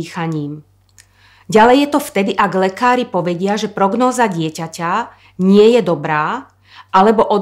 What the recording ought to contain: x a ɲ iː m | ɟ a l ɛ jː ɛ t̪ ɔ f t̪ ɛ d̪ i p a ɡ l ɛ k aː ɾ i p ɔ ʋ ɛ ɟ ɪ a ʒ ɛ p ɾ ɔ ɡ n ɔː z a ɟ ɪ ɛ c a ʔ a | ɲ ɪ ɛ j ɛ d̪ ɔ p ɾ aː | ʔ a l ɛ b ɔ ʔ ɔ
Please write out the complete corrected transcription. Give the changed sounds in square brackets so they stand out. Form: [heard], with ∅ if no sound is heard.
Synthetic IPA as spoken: x a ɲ iː m | ɟ a l ɛ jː ɛ t̪ ɔ f t̪ ɛ d̪ i [ʔ] a ɡ l ɛ k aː ɾ i p ɔ ʋ ɛ ɟ ɪ a ʒ ɛ p ɾ ɔ ɡ n ɔː z a ɟ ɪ ɛ c a [c] a | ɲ ɪ ɛ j ɛ d̪ ɔ [b] ɾ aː | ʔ a l ɛ b ɔ ʔ ɔ